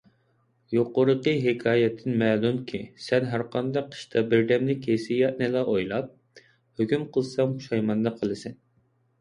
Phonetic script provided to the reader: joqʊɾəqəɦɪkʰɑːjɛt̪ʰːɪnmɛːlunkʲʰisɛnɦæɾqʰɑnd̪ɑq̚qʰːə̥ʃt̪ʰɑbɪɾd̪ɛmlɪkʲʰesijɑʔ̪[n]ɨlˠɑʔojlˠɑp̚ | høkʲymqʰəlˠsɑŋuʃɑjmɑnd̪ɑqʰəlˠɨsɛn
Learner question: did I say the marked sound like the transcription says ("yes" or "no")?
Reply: yes